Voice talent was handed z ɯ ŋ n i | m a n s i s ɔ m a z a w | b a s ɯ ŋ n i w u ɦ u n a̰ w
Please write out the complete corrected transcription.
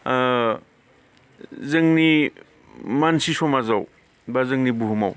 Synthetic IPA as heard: z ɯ ŋ n i | m a n s i s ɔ m a z a w | b a z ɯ ŋ n i b u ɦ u m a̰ w